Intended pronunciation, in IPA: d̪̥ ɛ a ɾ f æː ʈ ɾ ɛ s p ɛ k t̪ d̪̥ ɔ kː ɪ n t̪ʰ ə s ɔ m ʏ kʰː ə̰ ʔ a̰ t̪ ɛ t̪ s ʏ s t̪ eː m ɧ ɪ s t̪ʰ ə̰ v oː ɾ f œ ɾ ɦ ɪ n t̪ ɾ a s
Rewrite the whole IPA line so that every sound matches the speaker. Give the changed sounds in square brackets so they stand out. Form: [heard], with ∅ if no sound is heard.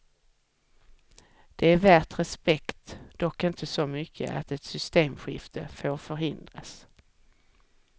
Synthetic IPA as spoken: d̪̥ ɛ [æ] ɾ [v] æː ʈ ɾ ɛ s p ɛ k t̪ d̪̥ ɔ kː ɪ n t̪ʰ ə s ɔ m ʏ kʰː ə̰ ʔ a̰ t̪ ɛ t̪ s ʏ s t̪ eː m ɧ ɪ [f] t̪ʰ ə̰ [f] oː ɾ f œ ɾ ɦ ɪ n [d̪] ɾ a s